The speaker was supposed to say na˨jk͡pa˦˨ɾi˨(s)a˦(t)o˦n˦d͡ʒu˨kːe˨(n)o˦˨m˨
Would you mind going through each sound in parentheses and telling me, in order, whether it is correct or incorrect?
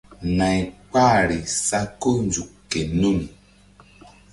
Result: correct, incorrect, correct

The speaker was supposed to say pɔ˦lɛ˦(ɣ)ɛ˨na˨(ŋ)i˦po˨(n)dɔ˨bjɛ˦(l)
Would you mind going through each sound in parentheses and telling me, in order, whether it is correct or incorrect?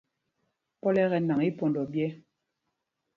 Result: correct, correct, correct, incorrect

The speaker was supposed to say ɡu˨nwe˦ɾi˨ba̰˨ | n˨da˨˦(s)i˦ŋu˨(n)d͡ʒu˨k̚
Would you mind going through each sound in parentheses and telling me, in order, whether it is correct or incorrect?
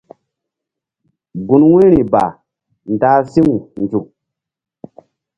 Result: correct, correct

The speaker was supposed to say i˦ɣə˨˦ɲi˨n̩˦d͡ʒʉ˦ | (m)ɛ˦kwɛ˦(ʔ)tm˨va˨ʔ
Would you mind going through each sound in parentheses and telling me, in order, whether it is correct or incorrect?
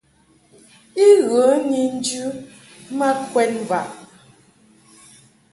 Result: correct, incorrect

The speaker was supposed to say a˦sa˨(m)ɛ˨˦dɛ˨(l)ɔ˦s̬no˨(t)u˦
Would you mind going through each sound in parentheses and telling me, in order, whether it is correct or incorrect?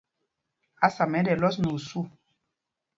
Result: correct, correct, incorrect

